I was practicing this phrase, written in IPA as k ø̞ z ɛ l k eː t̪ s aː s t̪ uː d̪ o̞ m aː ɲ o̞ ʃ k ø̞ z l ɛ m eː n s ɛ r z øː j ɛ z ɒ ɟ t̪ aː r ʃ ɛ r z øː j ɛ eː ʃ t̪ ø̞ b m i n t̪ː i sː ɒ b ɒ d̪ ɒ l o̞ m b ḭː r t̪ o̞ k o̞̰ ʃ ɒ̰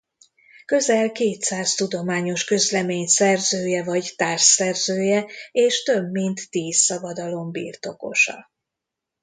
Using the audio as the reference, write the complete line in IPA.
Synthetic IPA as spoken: k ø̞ z ɛ l k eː t̪ s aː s t̪ u d̪ o̞ m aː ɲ o̞ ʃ k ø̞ z l ɛ m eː ɲ s ɛ r z øː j ɛ v ɒ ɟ t̪ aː r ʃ ɛ r z øː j ɛ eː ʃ t̪ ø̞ b m i n t̪ː iː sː ɒ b ɒ d̪ ɒ l o̞ m b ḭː r t̪ o̞ k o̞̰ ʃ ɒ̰